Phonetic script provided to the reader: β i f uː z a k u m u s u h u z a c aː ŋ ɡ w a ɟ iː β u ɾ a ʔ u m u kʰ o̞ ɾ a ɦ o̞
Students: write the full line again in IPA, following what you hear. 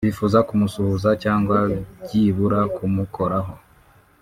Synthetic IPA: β i f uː z a k u m u s u h u z a c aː ŋ ɡ w a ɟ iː β u ɾ a k u m u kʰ o̞ ɾ a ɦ o̞

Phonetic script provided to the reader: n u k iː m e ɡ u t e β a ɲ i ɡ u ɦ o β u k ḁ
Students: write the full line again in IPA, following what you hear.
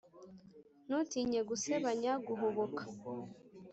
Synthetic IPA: n u t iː ɲ e ɡ u s e β a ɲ a ɡ u ɦ o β o k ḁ

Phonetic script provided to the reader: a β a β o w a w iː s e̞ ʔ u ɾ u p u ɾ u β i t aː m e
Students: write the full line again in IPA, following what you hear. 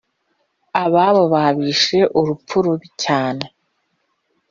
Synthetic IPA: a β a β o β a β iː ʃ e̞ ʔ u ɾ u p u ɾ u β i c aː n e

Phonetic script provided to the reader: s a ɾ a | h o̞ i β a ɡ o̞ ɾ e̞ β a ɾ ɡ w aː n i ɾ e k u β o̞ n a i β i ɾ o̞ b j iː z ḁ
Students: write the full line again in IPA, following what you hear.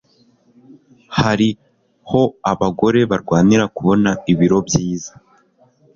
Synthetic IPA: h a ɾ i | h o̞ a β a ɡ o̞ ɾ e̞ β a ɾ ɡ w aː n i ɾ a k u β o̞ n a i β i ɾ o̞ b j iː z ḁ

